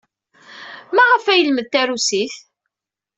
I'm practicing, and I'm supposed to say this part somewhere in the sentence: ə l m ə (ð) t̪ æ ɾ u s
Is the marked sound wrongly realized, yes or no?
no